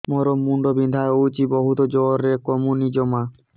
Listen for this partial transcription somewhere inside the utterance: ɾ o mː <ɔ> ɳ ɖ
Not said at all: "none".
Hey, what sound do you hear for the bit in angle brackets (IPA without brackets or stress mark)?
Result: u